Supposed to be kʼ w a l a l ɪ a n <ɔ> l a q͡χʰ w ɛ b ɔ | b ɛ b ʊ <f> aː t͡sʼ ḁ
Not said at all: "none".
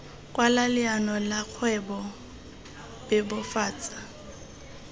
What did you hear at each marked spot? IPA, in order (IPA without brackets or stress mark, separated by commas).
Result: ɔ, f